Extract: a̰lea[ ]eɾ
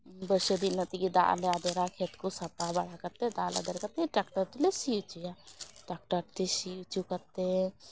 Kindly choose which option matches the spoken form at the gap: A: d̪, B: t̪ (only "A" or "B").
A